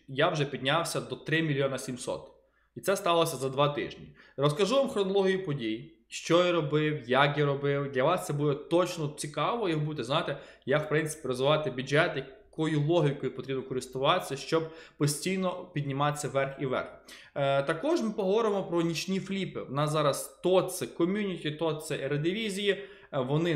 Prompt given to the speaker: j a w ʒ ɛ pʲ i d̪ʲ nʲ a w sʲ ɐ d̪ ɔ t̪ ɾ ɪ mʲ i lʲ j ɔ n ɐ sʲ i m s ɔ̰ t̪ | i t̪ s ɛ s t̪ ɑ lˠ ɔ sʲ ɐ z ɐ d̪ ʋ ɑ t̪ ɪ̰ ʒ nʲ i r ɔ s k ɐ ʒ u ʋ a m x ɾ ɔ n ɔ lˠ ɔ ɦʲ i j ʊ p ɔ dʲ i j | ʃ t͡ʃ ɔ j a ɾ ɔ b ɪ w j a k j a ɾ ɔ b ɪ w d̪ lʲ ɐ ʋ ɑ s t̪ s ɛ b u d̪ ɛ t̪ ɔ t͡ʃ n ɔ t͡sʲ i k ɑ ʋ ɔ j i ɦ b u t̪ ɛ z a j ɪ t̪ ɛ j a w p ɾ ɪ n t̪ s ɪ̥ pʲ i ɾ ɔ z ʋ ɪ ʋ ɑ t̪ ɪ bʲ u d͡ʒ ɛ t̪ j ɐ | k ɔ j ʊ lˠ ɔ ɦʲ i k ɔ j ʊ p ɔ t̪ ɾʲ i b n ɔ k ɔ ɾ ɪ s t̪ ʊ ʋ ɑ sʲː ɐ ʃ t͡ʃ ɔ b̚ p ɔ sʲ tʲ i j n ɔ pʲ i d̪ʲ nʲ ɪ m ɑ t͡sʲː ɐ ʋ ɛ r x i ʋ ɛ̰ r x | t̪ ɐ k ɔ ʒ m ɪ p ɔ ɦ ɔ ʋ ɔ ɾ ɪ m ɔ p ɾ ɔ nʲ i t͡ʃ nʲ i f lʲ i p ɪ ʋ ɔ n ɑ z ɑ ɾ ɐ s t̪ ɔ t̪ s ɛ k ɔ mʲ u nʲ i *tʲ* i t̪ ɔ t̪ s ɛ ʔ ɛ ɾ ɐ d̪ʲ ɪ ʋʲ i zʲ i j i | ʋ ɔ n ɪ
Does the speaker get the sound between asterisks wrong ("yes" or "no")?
no